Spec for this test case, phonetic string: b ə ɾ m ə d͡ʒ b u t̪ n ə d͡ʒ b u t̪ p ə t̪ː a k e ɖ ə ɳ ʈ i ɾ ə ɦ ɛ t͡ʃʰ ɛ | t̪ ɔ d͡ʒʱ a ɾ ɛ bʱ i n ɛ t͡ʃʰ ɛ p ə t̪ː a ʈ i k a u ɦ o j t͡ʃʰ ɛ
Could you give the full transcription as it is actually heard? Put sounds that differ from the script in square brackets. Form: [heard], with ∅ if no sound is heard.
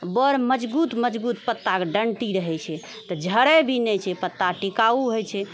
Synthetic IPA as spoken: b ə ɾ m ə d͡ʒ b u t̪ [m] ə d͡ʒ b u t̪ p ə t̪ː a k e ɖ ə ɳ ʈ i ɾ ə ɦ ɛ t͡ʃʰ ɛ | t̪ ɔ d͡ʒʱ [ə] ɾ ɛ bʱ i n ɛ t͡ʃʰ ɛ p ə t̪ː a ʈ i k a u ɦ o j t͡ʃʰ ɛ